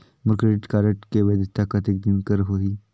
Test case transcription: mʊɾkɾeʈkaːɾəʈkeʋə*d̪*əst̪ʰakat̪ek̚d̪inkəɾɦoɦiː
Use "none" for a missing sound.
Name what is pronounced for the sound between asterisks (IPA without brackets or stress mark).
d̪